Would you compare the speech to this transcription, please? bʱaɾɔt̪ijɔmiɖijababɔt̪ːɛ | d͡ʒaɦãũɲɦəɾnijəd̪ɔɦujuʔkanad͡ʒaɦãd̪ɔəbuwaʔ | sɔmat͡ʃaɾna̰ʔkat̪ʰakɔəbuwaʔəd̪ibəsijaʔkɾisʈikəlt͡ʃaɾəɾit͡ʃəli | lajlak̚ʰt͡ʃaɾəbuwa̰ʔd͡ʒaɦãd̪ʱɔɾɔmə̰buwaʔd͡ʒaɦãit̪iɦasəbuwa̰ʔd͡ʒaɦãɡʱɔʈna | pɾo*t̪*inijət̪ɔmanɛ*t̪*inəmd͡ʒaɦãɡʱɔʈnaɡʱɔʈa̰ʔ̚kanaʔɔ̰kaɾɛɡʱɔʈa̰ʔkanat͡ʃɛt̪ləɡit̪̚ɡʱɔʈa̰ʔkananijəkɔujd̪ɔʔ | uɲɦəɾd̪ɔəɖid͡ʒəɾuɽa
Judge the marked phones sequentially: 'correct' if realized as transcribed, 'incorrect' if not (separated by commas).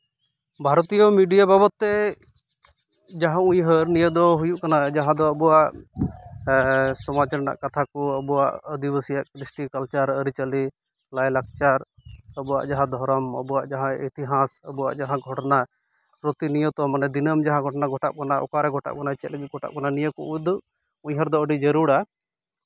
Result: correct, incorrect